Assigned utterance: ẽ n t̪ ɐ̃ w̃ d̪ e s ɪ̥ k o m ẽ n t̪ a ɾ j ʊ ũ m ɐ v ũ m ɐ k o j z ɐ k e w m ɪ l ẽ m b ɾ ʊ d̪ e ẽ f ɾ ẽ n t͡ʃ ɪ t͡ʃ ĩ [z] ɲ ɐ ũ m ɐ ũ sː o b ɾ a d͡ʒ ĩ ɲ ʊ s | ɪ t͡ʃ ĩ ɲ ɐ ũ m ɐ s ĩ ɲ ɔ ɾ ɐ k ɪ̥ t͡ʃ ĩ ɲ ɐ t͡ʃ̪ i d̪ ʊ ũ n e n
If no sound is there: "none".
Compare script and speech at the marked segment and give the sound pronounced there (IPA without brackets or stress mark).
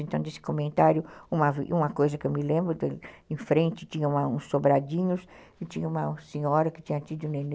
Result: none